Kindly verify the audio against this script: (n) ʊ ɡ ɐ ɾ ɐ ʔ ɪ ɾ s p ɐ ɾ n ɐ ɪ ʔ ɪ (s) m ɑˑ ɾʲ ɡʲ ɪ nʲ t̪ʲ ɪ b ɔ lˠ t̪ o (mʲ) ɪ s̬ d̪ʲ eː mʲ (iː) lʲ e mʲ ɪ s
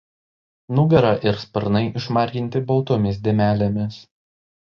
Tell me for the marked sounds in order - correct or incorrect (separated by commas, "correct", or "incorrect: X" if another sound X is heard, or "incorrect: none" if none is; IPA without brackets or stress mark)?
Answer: correct, incorrect: ʃ, correct, incorrect: æː